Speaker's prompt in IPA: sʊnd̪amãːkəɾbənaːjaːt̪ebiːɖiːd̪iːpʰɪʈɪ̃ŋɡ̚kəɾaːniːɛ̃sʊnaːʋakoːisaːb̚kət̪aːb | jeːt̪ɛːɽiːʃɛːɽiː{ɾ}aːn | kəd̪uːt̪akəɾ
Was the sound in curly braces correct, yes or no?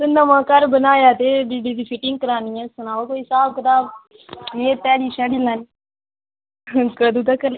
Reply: no